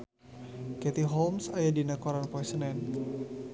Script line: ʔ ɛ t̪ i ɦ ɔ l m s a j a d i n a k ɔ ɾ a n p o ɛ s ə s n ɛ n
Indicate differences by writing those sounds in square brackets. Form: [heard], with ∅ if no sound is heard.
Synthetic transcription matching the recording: [k] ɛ t̪ i ɦ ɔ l m s a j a d i n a k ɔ ɾ a n p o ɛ s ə [∅] n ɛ n